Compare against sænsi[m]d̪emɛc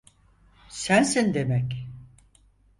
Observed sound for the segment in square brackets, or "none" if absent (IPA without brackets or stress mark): n